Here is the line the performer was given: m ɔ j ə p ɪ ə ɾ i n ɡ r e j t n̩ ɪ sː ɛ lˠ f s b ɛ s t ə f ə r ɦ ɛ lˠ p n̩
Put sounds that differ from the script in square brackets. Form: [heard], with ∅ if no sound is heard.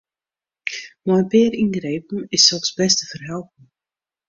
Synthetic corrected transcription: m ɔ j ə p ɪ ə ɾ i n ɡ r e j [p] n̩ ɪ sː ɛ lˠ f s b ɛ s t ə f ə r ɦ ɛ lˠ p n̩